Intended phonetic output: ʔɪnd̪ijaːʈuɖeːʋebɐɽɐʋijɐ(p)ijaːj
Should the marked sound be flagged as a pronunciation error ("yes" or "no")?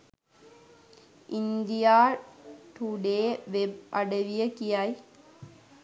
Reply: yes